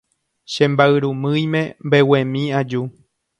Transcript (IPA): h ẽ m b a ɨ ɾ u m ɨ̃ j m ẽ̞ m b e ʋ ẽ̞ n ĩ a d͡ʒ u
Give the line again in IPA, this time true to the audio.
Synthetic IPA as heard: ʃ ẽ m b a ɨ ɾ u m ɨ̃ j m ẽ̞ m b e w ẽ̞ m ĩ a d͡ʒ u